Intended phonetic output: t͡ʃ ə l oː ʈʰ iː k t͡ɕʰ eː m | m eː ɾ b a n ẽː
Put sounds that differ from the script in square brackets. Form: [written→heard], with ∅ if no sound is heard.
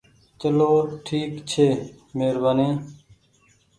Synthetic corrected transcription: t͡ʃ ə l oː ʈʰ iː k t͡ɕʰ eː [m→∅] | m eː ɾ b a n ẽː